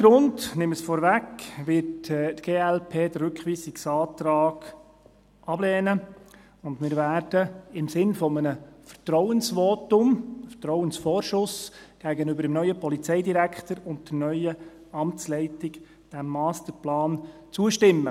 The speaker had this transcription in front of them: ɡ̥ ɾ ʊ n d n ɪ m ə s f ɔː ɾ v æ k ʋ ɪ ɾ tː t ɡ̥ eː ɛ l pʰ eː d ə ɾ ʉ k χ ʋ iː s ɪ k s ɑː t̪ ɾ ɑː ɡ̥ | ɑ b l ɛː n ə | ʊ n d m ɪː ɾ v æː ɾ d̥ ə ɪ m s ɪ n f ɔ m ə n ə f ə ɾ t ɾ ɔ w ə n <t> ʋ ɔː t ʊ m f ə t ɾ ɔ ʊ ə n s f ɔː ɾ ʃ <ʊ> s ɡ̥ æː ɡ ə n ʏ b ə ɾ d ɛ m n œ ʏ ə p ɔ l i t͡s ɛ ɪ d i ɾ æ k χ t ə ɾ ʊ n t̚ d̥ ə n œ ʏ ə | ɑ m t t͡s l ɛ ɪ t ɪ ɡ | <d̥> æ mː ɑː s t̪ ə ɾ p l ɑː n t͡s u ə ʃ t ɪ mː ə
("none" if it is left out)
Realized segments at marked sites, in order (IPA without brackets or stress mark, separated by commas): s, ʊ, d̥